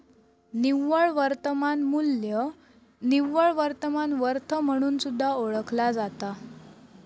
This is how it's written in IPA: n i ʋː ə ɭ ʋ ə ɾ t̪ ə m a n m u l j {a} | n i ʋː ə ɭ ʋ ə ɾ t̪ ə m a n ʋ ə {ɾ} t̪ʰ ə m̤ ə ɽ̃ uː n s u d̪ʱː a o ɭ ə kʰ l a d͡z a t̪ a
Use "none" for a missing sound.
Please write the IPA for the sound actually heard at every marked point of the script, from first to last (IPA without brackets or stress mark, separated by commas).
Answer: ə, ɾ